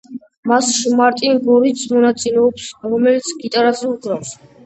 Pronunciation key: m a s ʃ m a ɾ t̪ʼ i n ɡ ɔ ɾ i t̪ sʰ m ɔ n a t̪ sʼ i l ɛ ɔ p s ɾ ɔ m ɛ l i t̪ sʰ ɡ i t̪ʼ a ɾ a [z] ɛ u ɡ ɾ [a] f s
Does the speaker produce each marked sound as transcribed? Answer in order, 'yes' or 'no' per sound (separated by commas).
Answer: yes, yes